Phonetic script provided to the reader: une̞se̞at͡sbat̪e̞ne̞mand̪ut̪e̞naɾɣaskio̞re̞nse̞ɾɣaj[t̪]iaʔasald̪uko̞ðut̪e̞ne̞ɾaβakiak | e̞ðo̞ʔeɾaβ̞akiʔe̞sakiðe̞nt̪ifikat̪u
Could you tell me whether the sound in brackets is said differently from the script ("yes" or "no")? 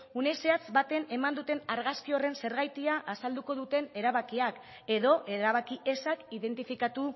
no